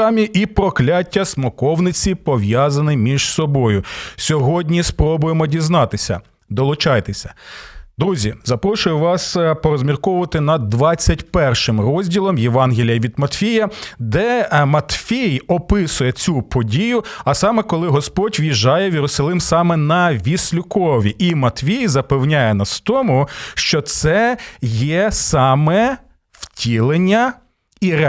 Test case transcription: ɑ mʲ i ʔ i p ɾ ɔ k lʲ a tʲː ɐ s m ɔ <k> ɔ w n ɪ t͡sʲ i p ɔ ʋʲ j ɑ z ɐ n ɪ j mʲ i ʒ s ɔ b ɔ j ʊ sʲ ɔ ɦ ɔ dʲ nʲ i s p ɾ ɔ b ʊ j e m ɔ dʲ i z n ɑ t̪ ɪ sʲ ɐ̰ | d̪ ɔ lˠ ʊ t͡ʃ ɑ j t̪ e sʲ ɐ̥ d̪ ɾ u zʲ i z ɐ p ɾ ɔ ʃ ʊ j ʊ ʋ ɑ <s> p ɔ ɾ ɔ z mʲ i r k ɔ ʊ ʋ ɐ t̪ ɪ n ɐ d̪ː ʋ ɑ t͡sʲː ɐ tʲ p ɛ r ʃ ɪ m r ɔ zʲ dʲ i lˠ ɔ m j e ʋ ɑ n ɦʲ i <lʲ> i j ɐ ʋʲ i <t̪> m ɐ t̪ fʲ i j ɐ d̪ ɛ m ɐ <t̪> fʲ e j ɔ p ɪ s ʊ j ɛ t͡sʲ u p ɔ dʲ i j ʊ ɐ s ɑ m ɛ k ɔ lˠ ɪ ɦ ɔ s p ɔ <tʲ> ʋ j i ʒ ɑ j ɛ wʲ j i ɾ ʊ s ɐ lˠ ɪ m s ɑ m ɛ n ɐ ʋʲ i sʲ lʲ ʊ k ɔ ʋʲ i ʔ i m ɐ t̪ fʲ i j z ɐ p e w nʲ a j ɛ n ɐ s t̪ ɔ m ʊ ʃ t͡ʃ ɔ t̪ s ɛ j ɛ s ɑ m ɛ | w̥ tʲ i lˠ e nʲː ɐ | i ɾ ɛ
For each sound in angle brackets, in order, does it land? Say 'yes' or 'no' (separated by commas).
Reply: yes, yes, yes, no, yes, yes